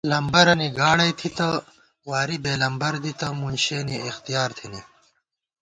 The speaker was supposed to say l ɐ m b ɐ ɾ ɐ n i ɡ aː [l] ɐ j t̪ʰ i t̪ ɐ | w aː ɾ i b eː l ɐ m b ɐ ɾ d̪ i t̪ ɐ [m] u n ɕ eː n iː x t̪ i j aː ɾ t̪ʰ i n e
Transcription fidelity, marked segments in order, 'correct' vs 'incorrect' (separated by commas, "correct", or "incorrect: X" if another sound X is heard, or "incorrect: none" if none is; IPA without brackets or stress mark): incorrect: ɽ, correct